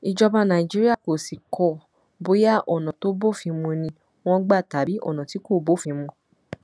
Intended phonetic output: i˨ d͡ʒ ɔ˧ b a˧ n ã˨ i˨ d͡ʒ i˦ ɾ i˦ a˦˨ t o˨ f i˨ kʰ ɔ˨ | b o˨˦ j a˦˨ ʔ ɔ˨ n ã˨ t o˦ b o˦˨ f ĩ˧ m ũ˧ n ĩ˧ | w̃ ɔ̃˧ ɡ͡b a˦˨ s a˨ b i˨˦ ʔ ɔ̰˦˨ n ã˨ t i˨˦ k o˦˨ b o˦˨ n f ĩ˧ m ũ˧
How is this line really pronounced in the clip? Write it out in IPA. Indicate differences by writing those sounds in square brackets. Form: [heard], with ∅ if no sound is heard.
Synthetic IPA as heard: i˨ d͡ʒ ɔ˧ b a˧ n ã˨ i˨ d͡ʒ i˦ ɾ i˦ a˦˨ [k] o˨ [s] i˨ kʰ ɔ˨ | b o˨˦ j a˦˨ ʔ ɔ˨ n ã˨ t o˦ b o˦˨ f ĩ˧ m ũ˧ n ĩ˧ | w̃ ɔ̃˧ ɡ͡b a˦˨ [t] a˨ b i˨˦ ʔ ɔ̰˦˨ n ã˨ t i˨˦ k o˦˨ b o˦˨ [∅] f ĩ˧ m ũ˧